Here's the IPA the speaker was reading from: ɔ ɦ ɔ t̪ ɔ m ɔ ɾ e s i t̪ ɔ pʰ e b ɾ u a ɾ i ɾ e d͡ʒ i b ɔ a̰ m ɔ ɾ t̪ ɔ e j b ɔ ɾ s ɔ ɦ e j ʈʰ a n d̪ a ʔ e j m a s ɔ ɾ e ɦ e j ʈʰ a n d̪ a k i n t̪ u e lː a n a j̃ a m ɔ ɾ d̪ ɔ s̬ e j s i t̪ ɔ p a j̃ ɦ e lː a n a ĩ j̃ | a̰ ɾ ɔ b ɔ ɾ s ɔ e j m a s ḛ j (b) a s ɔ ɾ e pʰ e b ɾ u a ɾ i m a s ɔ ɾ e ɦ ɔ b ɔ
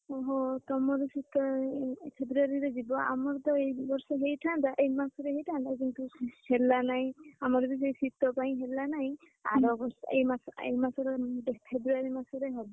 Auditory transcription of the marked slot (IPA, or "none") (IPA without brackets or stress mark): m